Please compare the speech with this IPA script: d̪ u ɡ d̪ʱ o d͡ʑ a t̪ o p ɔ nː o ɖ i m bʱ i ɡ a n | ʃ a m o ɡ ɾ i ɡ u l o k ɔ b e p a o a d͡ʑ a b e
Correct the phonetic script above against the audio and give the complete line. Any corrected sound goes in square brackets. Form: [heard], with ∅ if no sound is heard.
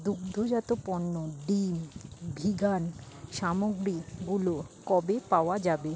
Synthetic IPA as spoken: d̪ u ɡ d̪ʱ o d͡ʑ a t̪ o p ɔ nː o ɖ i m bʱ i ɡ a n | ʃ a m o ɡ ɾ i ɡ u l o k ɔ b e p a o a d͡ʑ a b e